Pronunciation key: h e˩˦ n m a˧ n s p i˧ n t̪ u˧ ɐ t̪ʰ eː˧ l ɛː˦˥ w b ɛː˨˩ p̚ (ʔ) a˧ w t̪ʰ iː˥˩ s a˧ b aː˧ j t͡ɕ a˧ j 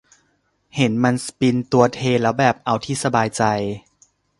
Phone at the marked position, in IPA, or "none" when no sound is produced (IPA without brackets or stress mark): ʔ